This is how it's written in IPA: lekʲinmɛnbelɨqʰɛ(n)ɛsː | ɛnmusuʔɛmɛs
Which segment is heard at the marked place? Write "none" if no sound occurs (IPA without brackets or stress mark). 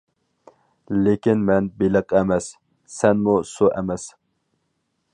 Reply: m